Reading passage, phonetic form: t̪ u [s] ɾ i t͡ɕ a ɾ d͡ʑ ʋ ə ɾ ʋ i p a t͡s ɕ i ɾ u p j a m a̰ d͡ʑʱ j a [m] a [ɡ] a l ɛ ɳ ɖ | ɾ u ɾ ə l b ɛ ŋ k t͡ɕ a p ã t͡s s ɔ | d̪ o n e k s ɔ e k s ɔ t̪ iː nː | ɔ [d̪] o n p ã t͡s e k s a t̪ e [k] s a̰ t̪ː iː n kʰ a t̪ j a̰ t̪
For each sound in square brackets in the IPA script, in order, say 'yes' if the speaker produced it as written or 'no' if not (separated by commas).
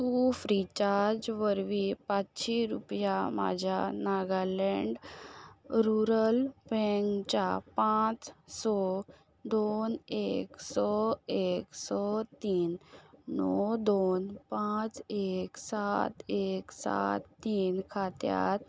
no, no, yes, yes, yes